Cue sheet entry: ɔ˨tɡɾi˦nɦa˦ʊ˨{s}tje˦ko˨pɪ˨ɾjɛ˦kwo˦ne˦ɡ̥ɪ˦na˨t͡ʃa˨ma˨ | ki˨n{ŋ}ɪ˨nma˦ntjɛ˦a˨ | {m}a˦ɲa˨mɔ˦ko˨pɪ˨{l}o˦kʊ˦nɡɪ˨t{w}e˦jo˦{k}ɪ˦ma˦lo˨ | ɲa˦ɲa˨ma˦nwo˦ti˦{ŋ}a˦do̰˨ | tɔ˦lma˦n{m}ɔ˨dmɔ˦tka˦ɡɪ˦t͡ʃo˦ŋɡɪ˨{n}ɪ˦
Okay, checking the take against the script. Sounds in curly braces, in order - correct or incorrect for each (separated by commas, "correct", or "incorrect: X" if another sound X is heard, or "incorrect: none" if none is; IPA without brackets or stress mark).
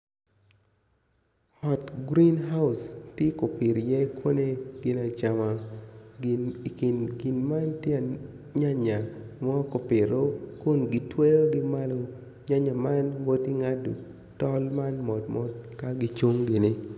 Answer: correct, incorrect: ɡ, incorrect: ɲ, incorrect: ɾ, correct, incorrect: ɡ, correct, correct, correct